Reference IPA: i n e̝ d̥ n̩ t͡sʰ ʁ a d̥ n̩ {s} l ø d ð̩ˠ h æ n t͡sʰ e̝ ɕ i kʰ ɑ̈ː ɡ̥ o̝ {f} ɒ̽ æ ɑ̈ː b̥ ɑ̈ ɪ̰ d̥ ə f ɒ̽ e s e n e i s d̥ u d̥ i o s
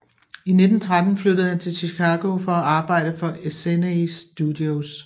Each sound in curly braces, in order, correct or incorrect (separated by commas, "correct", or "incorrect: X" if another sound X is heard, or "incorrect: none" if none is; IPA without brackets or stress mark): incorrect: f, correct